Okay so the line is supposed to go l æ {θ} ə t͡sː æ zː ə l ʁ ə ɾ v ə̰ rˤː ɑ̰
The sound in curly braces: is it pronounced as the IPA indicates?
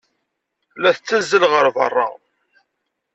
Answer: yes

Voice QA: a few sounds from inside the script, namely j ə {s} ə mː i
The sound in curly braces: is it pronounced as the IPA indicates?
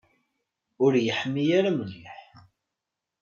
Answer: no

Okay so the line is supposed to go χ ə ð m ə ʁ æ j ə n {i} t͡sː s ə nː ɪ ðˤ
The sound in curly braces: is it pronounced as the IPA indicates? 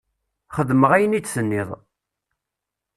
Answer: yes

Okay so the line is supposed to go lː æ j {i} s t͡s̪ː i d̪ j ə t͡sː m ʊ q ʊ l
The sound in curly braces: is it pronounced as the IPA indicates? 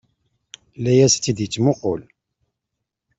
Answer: no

